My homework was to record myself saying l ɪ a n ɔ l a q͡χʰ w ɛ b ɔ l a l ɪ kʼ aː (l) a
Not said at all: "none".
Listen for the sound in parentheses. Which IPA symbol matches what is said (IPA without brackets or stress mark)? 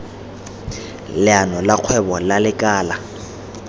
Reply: l